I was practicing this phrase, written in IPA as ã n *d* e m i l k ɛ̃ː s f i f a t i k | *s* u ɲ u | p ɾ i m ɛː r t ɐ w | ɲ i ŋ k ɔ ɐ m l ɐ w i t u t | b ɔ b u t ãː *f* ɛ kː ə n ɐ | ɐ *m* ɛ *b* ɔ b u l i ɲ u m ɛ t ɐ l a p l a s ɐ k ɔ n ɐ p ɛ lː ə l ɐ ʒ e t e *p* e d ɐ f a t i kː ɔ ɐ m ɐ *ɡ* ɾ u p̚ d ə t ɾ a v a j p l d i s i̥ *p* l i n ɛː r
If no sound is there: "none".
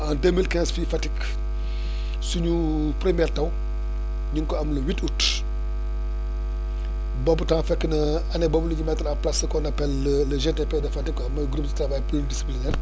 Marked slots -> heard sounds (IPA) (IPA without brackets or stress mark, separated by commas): d, s, f, n, b, p, ɡ, p